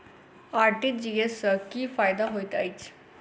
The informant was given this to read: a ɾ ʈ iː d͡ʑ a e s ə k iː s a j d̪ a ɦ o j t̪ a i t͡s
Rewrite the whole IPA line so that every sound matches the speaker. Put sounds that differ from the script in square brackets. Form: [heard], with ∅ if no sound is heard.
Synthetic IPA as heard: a ɾ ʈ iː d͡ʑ [i] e s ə k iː [f] a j d̪ a ɦ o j t̪ a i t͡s